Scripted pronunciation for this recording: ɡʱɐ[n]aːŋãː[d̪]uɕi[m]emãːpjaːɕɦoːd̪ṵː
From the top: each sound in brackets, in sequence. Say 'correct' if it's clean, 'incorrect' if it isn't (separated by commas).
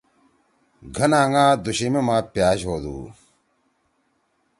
correct, correct, correct